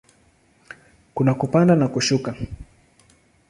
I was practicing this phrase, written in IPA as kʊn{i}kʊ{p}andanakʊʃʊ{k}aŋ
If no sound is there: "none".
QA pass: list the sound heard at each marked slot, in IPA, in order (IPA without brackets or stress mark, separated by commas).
a, p, k